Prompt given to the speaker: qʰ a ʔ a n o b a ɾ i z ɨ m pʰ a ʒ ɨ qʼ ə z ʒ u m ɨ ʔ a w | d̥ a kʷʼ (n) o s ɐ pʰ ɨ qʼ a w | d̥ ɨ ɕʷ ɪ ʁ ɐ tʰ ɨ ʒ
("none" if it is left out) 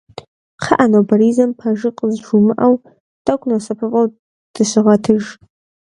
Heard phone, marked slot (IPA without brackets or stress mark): n